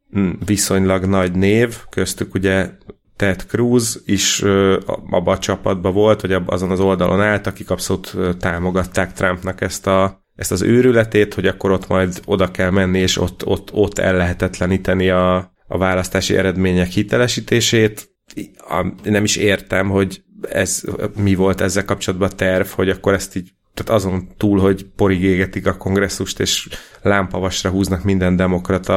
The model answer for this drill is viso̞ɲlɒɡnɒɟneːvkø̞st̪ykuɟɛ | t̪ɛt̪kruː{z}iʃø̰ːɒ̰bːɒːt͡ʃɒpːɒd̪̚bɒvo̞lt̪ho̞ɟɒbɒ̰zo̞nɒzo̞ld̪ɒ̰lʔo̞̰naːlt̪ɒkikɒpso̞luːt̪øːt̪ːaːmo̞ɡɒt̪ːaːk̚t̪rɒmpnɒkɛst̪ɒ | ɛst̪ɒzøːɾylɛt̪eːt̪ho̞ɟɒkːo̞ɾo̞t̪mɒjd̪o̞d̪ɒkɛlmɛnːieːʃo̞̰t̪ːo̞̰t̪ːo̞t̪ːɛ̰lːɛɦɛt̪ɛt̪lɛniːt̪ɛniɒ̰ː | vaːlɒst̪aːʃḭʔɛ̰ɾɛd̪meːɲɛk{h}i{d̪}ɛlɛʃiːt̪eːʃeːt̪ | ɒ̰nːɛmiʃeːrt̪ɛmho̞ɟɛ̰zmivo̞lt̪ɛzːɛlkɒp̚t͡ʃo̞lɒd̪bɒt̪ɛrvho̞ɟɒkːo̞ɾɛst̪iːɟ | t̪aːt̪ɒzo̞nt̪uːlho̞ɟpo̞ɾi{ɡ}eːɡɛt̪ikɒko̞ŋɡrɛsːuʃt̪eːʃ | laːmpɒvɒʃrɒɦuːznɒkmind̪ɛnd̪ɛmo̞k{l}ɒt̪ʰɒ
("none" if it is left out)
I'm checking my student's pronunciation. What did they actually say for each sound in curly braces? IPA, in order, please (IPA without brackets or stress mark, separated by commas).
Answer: z, h, t̪, ɡ, r